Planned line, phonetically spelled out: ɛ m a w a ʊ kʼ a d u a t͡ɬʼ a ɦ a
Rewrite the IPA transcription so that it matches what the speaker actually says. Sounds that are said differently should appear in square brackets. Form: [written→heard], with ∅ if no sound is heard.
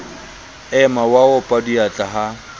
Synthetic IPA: ɛ m a w a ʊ [kʼ→pʼ] a d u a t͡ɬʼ a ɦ a